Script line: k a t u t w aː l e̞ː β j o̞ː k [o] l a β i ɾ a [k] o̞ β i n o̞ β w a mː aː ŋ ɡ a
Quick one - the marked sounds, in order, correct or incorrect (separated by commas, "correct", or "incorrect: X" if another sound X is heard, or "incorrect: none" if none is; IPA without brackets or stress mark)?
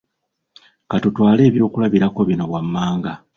incorrect: u, correct